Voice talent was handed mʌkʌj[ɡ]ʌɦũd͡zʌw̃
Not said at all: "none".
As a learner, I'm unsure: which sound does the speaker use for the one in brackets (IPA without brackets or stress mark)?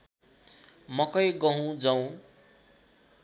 ɡ